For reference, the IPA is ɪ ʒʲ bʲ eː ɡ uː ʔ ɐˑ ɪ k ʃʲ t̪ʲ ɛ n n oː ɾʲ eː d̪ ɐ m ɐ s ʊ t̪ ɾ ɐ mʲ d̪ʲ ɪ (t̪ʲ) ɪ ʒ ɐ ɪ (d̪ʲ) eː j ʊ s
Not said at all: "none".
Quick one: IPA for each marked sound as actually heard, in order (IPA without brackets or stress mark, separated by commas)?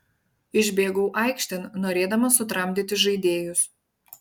t̪ʲ, d̪ʲ